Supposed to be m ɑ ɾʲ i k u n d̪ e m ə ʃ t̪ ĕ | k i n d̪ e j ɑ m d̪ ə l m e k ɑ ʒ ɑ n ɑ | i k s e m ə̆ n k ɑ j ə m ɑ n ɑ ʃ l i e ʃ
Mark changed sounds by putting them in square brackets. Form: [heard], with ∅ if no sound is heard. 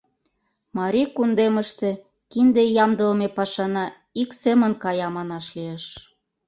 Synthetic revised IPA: m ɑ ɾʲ i k u n d̪ e m ə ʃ t̪ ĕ | k i n d̪ e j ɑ m d̪ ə l m e [p] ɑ [ʃ] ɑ n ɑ | i k s e m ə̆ n k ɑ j [ɑ] m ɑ n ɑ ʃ l i e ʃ

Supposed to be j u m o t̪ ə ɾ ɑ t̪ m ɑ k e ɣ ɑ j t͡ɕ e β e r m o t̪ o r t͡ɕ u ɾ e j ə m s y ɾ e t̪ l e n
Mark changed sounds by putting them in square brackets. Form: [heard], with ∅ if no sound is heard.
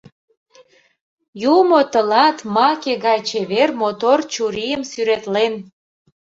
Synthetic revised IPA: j u m o t̪ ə [l] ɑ t̪ m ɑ k e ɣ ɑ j t͡ɕ e β e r m o t̪ o r t͡ɕ u ɾ [i] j ə m s y ɾ e t̪ l e n

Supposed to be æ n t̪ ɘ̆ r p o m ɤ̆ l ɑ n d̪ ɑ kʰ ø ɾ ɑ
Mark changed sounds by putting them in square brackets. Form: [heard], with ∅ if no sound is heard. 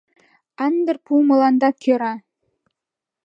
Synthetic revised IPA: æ n [d̪] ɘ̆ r p [u] m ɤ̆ l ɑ n d̪ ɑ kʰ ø ɾ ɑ

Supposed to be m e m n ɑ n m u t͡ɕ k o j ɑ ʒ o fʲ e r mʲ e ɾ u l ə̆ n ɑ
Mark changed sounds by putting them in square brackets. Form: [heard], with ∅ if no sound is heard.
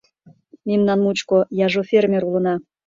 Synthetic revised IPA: m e m n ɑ n m u t͡ɕ k o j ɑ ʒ o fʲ e r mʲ e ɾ u l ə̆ n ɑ

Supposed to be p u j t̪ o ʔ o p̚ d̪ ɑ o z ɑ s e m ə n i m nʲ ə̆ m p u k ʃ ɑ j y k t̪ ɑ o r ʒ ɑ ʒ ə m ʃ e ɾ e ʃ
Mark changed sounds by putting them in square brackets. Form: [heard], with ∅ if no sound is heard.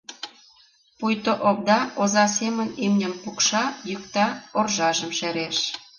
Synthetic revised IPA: p u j t̪ o ʔ o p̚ d̪ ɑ o z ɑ s e m ə n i m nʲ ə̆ m p u k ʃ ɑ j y k t̪ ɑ o r ʒ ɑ ʒ ə m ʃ e ɾ e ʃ

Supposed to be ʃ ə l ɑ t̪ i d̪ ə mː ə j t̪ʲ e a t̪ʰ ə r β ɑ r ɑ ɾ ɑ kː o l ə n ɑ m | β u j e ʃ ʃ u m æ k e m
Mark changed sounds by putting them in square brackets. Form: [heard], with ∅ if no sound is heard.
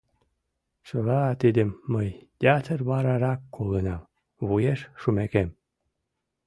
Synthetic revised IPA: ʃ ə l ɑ t̪ i d̪ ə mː ə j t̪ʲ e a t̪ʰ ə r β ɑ [ɾ] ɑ ɾ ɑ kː o l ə n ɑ m | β u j e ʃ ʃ u m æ k e m

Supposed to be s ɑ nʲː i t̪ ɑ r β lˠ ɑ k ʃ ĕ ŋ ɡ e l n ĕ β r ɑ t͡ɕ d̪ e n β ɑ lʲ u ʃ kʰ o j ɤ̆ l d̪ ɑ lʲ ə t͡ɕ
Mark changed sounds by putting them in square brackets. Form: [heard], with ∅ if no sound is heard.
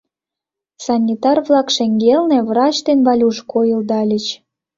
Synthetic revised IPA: s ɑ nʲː i t̪ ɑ r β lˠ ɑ k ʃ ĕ ŋ ɡ e l n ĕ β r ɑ t͡ɕ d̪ e n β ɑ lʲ u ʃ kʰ o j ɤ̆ l d̪ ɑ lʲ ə t͡ɕ

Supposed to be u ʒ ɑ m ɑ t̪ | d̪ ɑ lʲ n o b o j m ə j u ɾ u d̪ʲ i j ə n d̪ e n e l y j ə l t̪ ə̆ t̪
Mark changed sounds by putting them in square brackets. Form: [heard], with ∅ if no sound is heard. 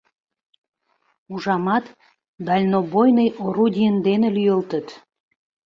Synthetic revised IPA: u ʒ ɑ m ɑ t̪ | d̪ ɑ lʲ n o b o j [n] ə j [o] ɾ u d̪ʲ i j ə n d̪ e n e l y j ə l t̪ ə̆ t̪

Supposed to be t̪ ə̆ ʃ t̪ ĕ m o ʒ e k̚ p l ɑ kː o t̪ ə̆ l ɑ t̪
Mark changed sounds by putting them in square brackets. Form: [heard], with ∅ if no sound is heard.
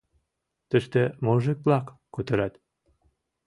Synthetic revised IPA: t̪ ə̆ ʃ t̪ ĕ m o ʒ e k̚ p l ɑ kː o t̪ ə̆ [ɾ] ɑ t̪

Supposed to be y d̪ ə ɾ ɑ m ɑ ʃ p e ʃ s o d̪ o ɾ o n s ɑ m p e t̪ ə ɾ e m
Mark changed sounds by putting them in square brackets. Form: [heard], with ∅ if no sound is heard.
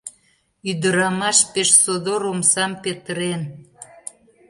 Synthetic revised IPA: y d̪ ə ɾ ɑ m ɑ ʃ p e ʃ s o d̪ o ɾ o [m] s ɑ m p e t̪ ə ɾ e [n]

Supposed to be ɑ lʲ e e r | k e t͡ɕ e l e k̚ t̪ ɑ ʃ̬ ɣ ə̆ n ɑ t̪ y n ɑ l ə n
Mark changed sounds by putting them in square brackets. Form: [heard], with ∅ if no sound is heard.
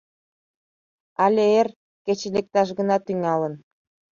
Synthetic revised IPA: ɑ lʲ e e r | k e t͡ɕ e l e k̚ t̪ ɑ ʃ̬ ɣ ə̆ n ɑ t̪ y [ŋ] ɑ l ə n

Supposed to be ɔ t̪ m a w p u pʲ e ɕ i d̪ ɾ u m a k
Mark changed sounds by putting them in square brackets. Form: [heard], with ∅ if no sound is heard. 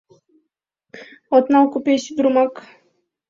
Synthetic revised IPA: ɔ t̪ [n] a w [k] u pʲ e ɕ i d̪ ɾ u m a k

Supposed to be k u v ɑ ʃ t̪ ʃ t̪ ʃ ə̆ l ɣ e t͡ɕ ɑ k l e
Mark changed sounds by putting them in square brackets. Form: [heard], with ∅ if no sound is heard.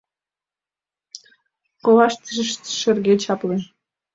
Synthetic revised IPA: k [o] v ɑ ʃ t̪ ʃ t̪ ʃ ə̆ [r] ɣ e t͡ɕ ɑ [p] l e

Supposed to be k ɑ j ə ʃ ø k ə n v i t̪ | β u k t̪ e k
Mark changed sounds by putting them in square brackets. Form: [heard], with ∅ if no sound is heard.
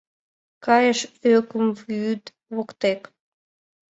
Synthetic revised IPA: k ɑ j ə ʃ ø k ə [m] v [y] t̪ | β [o] k t̪ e k

